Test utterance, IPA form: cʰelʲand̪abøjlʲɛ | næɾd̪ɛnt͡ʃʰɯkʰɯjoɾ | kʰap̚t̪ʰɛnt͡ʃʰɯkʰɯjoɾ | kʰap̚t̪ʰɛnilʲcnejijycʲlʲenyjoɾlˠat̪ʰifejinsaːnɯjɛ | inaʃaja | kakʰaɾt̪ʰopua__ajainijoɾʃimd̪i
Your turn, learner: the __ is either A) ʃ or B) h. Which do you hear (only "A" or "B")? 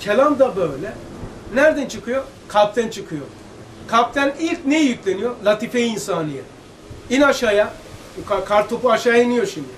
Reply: A